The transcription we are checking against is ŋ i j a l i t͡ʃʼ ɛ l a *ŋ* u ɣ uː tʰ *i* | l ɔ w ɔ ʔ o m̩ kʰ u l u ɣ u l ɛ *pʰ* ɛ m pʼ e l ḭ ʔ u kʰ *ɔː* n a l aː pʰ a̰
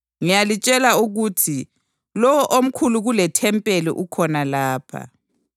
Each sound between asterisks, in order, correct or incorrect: incorrect: none, correct, incorrect: tʰ, incorrect: ɔ

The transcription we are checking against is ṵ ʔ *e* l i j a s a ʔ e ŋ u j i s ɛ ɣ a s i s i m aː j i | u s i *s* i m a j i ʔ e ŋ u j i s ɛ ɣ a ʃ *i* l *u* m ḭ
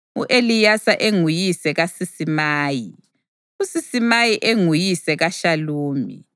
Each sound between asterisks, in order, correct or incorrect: correct, correct, incorrect: a, incorrect: uː

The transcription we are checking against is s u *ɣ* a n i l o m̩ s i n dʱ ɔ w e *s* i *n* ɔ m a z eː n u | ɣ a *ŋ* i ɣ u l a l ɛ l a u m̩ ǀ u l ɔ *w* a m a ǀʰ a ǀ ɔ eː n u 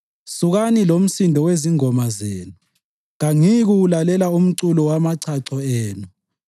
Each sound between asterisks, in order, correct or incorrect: correct, incorrect: z, incorrect: ŋ, correct, correct

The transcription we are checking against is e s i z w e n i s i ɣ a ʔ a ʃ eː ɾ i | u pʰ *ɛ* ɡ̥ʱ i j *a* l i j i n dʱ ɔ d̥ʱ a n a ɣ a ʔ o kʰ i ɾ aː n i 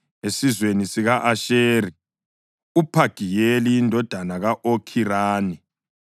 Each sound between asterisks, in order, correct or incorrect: incorrect: a, incorrect: e

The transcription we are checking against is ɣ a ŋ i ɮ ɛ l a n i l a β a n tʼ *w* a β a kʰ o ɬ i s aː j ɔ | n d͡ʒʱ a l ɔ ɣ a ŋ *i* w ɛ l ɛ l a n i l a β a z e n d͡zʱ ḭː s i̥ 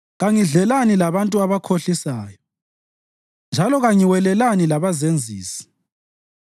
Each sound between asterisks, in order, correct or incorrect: incorrect: u, correct

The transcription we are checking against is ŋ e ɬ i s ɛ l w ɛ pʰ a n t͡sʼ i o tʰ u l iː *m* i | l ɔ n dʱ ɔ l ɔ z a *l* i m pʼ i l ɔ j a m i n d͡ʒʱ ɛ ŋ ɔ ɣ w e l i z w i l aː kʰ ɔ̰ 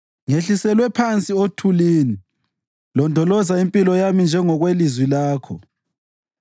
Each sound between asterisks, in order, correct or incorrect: incorrect: n, incorrect: none

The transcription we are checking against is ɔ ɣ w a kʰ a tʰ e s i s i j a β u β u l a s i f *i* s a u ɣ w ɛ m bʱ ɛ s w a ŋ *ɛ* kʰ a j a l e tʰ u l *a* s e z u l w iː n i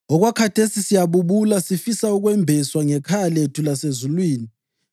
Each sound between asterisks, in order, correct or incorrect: correct, correct, correct

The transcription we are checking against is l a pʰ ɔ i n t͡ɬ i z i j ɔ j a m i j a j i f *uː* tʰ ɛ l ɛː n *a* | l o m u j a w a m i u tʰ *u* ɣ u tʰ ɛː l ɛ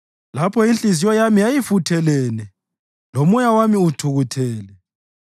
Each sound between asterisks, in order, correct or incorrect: incorrect: u, incorrect: ɛ, correct

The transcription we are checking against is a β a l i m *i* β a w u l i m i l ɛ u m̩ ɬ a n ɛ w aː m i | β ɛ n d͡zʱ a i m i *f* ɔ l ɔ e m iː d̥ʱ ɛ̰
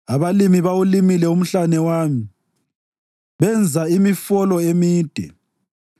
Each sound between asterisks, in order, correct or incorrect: correct, correct

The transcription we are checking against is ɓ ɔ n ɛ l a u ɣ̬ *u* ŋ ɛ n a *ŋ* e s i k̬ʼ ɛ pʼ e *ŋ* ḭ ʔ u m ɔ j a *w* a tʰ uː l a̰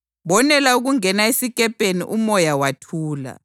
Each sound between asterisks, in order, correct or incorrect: correct, incorrect: none, incorrect: n, correct

